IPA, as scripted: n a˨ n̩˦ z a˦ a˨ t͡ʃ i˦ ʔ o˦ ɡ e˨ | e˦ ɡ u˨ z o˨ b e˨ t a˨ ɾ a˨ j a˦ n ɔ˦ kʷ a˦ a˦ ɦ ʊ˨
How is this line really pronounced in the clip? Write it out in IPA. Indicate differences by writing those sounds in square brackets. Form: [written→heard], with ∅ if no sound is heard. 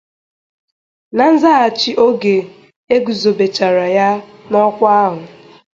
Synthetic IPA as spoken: n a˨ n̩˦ z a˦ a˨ t͡ʃ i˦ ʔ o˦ ɡ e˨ | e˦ ɡ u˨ z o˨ b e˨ [t→t͡ʃ] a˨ ɾ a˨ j a˦ n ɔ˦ kʷ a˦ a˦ ɦ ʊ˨